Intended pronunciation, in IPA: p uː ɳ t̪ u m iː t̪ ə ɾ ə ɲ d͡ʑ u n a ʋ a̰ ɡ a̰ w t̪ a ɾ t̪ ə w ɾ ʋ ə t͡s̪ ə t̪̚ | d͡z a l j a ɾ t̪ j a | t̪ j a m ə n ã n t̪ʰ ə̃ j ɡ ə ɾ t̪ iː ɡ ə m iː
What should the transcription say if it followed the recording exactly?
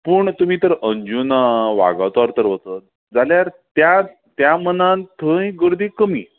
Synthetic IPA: p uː ɳ t̪ u m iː t̪ ə ɾ ə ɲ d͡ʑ u n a ʋ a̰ ɡ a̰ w t̪ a ɾ t̪ ə ɾ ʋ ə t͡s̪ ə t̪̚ | d͡z a l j a ɾ t̪ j a | t̪ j a m ə n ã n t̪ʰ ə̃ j ɡ ə ɾ d̪ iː k ə m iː